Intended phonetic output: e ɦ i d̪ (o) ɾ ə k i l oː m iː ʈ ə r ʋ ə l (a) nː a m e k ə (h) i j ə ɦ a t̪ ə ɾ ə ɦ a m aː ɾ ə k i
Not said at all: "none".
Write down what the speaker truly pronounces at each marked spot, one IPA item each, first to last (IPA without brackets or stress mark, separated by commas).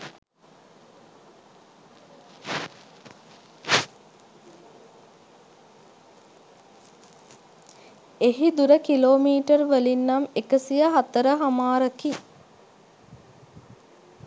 u, i, s